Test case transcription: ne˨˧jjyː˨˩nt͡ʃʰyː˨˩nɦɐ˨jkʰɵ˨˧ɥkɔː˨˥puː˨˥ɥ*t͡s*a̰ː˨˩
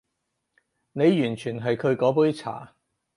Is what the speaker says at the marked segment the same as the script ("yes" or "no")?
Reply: no